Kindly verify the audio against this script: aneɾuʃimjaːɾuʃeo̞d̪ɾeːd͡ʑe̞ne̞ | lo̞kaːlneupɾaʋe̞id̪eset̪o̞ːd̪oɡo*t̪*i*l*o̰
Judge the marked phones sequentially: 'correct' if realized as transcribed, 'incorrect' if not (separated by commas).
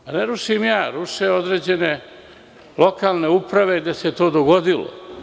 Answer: incorrect, correct